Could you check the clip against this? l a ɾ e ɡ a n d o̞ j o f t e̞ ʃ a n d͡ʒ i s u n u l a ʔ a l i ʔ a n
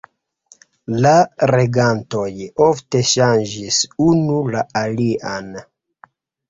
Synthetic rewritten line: l a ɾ e ɡ a n t o̞ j o f t e̞ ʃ a n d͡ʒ i s u n u l a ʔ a l i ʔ a n